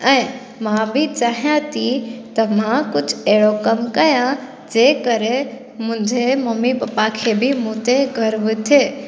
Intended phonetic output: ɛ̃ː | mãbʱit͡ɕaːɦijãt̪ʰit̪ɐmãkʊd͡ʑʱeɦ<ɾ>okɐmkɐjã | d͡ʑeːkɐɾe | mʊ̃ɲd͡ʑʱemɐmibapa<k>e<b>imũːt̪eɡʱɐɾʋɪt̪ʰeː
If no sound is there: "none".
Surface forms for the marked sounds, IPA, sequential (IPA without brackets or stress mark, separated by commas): ɽ, kʰ, b